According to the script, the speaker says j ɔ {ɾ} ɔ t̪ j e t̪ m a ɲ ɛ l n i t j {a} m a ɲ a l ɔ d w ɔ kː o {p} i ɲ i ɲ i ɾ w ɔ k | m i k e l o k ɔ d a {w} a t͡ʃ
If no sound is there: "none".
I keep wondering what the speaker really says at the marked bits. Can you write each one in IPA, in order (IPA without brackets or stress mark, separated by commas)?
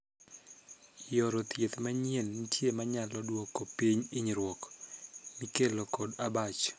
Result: ɾ, e, p, b